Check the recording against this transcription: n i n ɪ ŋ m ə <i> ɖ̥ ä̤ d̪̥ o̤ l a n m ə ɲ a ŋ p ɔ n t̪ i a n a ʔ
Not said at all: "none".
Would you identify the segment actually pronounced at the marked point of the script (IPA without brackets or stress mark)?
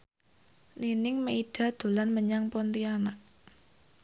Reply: i